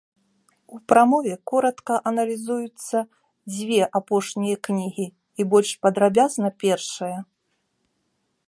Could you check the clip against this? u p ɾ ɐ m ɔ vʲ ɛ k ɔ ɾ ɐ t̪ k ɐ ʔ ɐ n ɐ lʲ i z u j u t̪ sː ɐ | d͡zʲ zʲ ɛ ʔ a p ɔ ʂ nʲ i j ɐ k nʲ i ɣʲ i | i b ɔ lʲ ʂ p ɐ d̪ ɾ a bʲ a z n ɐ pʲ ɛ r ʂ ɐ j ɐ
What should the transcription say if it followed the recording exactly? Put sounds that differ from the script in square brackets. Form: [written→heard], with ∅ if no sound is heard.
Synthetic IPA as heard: u p ɾ [ɐ→a] m ɔ vʲ ɛ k ɔ ɾ ɐ t̪ k ɐ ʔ ɐ n ɐ lʲ i z u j u t̪ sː ɐ | d͡zʲ [zʲ→vʲ] ɛ ʔ a p ɔ ʂ nʲ i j ɐ k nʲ i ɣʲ i | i b ɔ lʲ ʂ p ɐ d̪ ɾ a bʲ a z n ɐ pʲ ɛ r ʂ ɐ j ɐ